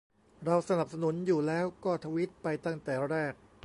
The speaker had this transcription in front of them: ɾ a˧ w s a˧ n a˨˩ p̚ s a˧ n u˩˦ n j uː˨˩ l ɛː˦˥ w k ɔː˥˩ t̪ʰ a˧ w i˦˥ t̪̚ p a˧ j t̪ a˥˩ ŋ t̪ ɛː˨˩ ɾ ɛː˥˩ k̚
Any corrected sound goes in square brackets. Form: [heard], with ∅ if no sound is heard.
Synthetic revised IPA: ɾ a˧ w s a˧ n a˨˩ p̚ s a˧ n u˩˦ n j uː˨˩ l ɛː˦˥ w k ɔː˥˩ t̪ʰ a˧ w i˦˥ t̪̚ p a˧ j t̪ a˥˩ ŋ t̪ ɛː˨˩ ɾ ɛː˥˩ k̚

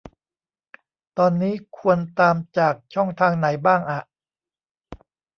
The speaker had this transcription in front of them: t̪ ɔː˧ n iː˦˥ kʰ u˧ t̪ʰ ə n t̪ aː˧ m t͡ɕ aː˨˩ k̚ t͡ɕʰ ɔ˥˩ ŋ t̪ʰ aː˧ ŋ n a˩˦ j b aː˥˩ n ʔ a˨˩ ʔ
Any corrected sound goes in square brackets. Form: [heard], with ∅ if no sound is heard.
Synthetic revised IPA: t̪ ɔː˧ [nː] iː˦˥ kʰ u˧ [∅] ə n t̪ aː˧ m t͡ɕ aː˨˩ k̚ t͡ɕʰ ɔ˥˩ ŋ t̪ʰ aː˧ ŋ n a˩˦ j b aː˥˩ [ŋ] ʔ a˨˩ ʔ

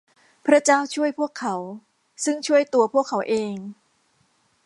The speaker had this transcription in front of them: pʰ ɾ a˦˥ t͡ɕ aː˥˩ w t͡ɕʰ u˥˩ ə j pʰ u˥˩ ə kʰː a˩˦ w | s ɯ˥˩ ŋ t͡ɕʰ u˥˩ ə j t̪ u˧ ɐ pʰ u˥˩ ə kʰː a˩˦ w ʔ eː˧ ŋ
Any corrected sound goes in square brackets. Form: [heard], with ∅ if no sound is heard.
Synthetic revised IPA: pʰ ɾ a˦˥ t͡ɕ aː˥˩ w t͡ɕʰ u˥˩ ə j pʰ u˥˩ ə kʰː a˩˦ w | s ɯ˥˩ ŋ t͡ɕʰ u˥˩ ə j t̪ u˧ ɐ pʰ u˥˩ ə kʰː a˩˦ w ʔ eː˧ ŋ

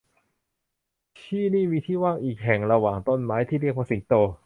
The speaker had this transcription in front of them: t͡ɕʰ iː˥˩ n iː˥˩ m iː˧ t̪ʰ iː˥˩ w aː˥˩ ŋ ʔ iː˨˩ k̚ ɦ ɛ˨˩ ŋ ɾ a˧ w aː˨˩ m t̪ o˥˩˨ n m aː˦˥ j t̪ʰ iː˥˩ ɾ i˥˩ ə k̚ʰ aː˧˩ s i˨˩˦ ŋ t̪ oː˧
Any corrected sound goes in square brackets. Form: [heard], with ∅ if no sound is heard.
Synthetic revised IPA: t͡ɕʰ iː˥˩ n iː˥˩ m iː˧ t̪ʰ iː˥˩ w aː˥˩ ŋ ʔ iː˨˩ k̚ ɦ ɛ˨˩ ŋ ɾ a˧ w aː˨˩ [ŋ] t̪ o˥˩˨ n m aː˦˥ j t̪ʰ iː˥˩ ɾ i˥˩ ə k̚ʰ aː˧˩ s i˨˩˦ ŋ t̪ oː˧

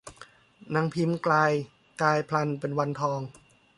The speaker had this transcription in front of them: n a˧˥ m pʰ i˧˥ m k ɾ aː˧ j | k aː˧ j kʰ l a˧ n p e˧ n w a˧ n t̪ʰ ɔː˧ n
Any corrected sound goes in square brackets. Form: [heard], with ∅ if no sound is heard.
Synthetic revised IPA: n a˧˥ [ŋ] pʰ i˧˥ m k [l] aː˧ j | k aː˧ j [pʰ] l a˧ n p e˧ n w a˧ n t̪ʰ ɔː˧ [ŋ]

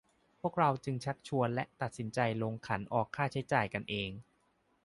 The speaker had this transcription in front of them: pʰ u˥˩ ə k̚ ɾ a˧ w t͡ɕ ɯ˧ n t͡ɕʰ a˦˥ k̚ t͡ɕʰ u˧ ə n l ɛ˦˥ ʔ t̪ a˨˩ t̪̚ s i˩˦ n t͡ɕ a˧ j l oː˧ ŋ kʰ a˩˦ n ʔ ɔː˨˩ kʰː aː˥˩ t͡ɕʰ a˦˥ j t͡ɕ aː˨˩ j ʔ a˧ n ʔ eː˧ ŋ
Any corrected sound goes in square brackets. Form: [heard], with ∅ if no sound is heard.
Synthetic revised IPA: pʰ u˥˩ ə k̚ ɾ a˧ w t͡ɕ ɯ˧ [ŋ] t͡ɕʰ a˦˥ k̚ t͡ɕʰ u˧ ə n l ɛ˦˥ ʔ t̪ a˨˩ t̪̚ s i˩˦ n t͡ɕ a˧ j l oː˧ ŋ kʰ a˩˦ n ʔ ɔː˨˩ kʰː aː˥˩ t͡ɕʰ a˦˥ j t͡ɕ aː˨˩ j [k] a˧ n ʔ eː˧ ŋ

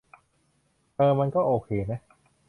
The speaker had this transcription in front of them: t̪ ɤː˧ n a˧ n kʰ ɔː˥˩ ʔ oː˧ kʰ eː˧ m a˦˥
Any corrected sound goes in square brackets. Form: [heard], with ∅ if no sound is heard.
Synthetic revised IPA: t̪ ɤː˧ [m] a˧ n [k] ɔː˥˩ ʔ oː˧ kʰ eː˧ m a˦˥

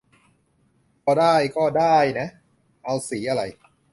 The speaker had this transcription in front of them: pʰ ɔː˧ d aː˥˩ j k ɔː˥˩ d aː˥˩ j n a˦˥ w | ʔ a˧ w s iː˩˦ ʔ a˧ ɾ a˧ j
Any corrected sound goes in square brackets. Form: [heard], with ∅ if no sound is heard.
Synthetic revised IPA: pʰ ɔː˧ d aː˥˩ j k ɔː˥˩ d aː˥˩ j n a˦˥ [∅] | ʔ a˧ w s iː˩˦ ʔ a˧ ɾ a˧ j

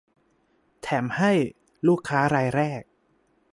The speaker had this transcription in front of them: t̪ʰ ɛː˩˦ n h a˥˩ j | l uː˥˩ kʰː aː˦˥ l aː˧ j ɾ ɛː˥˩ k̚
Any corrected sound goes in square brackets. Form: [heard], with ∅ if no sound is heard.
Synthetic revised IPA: t̪ʰ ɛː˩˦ [m] h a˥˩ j | l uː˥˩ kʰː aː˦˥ [ɾ] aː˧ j ɾ ɛː˥˩ k̚

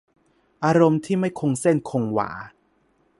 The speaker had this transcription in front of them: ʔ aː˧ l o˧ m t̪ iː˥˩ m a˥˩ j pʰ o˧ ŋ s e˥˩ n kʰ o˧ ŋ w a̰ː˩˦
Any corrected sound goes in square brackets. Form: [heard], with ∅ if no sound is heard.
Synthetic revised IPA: ʔ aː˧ [ɾ] o˧ m [t̪ʰ] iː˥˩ m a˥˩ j [kʰ] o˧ ŋ s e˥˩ n kʰ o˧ ŋ w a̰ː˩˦

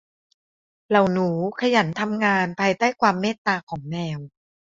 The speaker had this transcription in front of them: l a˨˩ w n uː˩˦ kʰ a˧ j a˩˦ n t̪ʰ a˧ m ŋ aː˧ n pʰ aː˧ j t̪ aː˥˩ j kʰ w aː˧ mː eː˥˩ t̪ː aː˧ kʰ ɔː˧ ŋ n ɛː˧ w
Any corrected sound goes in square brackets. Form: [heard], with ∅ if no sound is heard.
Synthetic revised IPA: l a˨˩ w n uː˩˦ kʰ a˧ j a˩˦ n t̪ʰ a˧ m ŋ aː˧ n pʰ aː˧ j t̪ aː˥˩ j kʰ w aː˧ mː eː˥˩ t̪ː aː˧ kʰ [ɔː˩˦] ŋ n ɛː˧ w

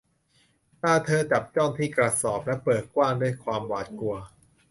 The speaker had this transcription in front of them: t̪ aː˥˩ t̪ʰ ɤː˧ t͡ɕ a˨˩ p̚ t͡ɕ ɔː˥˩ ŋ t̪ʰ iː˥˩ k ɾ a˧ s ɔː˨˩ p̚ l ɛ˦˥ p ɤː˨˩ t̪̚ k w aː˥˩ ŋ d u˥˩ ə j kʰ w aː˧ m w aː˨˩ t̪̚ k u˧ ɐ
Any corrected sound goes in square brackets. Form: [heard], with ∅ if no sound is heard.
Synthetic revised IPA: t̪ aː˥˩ t̪ʰ ɤː˧ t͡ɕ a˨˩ p̚ t͡ɕ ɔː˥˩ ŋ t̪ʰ iː˥˩ k ɾ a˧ s ɔː˨˩ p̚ l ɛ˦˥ p ɤː˨˩ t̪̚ k w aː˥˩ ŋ d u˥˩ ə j kʰ w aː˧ m w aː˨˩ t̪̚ k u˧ ɐ

